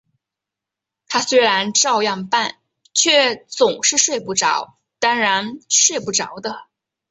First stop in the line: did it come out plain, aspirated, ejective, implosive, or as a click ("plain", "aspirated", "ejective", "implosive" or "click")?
aspirated